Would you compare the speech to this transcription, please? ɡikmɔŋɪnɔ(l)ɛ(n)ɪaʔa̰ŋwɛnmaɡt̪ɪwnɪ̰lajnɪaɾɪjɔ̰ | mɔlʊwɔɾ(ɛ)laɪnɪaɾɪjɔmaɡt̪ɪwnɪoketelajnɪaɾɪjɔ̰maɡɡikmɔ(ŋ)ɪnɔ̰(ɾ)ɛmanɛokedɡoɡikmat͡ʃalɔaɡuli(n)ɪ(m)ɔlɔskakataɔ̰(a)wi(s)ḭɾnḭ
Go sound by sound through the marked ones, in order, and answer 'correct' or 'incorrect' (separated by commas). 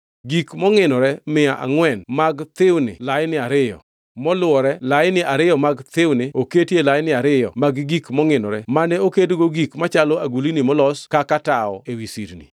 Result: incorrect, incorrect, correct, correct, correct, correct, correct, incorrect, correct